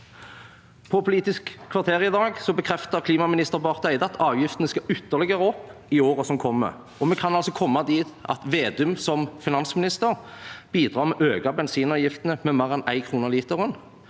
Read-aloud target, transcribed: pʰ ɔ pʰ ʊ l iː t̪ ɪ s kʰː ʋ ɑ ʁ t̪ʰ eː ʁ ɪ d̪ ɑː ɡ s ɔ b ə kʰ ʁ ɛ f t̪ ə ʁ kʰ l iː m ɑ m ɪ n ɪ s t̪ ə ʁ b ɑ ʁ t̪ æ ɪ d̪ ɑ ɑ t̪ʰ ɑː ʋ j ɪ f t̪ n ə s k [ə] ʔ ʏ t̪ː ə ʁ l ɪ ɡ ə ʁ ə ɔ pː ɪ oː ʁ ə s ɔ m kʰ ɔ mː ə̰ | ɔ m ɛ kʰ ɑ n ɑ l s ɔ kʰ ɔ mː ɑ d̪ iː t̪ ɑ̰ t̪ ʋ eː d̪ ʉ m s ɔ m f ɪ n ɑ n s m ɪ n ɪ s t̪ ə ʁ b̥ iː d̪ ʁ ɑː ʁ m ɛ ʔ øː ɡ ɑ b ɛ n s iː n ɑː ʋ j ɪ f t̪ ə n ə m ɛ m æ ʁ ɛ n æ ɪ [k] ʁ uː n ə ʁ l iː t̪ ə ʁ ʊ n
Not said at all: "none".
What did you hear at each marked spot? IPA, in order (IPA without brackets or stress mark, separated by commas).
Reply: ɑ, kʰ